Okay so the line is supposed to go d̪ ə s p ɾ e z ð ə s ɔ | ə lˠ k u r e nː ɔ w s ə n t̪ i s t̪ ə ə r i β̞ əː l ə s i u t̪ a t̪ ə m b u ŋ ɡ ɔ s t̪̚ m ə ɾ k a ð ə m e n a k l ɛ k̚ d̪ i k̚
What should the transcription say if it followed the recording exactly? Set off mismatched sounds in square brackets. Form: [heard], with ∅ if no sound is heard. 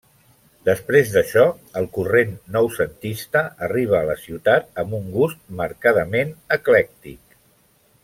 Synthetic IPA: d̪ ə s p ɾ e z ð ə [ʃ] ɔ | ə lˠ k u r e nː ɔ w s ə n t̪ i s t̪ ə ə r i β̞ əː l ə s i [w] t̪ a t̪ ə m b u ŋ ɡ [u] s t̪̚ m ə ɾ k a ð ə m e n [ə] k l ɛ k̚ [t̪] i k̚